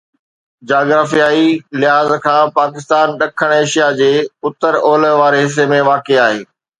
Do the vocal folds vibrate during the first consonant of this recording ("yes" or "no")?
yes